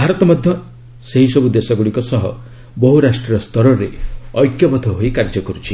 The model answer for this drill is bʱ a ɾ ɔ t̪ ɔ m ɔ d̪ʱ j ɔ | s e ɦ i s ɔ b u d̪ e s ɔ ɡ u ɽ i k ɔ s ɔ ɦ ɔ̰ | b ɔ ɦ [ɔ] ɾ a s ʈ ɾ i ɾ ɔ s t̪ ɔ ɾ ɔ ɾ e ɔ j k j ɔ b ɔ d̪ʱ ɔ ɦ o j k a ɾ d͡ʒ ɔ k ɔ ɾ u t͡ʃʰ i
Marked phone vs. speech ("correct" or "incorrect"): incorrect